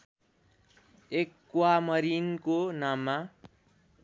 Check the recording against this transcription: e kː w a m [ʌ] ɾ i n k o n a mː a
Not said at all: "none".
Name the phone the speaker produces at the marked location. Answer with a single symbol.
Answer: ʌ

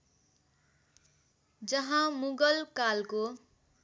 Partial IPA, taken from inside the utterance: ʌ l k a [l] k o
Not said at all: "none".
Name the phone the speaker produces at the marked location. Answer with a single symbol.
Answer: l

